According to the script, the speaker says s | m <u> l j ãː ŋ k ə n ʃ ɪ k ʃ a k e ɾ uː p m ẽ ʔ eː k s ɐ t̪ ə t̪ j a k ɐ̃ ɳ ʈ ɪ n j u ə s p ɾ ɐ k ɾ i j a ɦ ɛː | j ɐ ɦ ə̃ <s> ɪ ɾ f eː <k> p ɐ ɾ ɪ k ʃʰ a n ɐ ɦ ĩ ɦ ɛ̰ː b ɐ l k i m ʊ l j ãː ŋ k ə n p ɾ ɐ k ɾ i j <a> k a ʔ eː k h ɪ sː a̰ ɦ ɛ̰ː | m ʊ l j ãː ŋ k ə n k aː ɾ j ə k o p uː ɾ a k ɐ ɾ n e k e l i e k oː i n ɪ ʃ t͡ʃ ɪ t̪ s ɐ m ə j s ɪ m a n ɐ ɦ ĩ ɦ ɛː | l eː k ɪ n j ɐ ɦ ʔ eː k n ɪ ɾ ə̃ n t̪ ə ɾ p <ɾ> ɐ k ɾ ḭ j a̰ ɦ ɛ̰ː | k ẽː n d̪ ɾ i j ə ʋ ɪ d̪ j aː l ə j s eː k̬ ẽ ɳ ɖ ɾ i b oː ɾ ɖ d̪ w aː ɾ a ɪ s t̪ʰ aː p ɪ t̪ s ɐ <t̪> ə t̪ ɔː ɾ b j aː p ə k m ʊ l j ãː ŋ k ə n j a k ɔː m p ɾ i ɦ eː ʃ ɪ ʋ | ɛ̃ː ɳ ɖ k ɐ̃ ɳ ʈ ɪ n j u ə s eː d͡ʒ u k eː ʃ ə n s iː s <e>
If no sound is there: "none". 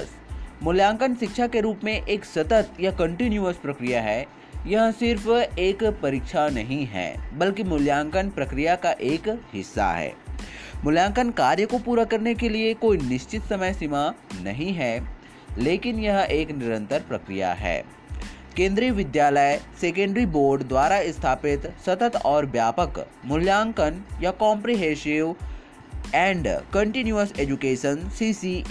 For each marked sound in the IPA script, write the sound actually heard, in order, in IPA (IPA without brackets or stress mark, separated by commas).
ʊ, s, k, a, ɾ, t̪, i